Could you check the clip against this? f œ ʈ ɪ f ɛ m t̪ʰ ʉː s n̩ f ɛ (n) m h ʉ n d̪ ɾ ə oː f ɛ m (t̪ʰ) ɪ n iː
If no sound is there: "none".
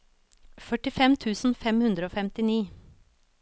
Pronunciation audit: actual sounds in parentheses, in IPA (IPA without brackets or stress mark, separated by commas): none, t̪